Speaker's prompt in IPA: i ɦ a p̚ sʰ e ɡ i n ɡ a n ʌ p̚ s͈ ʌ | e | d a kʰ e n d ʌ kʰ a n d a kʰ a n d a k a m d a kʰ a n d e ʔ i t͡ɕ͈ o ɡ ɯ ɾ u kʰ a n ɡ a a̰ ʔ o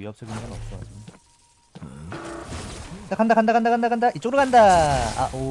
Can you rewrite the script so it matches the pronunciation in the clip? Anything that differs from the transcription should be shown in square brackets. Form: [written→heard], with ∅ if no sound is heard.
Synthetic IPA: i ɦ [a→ʌ] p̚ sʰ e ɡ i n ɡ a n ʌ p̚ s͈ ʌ | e | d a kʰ [e→a] n d [ʌ→a] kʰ a n d a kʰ a n d a k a [m→n] d a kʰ a n d [e→a] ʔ i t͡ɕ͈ o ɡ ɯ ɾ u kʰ a n [ɡ→d] a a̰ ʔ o